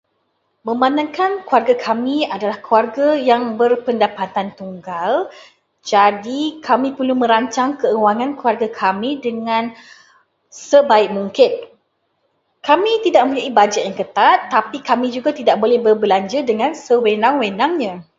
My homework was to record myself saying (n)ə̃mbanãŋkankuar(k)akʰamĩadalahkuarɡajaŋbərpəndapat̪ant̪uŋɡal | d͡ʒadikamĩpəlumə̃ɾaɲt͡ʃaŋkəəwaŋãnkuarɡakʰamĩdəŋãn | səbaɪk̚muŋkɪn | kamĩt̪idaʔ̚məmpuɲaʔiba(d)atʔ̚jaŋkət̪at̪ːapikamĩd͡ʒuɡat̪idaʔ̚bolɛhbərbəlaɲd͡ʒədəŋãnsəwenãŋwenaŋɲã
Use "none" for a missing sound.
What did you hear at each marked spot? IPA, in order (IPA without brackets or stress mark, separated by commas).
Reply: m, ɡ, d͡ʒ